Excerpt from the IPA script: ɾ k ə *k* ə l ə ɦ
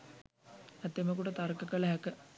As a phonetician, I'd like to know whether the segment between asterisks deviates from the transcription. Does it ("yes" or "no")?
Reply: no